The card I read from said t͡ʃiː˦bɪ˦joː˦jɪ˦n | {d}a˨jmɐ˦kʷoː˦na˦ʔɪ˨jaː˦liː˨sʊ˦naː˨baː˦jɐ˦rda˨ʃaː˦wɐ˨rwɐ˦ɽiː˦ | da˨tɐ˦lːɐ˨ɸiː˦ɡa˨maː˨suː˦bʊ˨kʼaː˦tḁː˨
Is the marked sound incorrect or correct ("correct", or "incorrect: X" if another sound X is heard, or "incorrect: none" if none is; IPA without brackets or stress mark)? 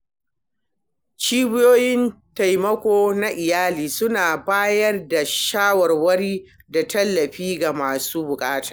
incorrect: t